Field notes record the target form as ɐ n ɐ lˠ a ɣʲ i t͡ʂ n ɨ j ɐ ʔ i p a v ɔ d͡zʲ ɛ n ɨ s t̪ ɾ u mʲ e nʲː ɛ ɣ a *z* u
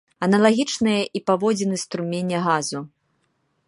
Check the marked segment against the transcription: correct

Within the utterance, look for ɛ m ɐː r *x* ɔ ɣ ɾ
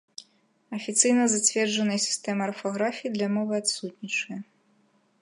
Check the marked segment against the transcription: incorrect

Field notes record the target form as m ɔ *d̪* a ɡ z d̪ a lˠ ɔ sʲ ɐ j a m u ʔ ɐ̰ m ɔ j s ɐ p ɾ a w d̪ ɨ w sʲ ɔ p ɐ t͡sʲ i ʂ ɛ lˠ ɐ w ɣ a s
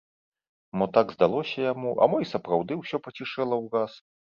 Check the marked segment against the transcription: incorrect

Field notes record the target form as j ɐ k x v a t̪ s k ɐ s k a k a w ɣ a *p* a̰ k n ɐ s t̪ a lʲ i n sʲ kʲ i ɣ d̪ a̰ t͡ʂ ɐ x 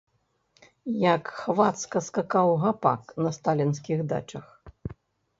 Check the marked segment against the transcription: correct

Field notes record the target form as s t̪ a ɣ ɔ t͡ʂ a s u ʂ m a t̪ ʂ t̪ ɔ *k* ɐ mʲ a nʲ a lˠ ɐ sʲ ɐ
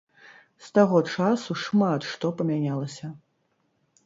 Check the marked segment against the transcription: incorrect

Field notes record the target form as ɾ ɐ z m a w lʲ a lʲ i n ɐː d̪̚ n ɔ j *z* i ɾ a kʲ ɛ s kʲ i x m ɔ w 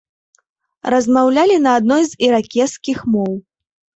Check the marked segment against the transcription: correct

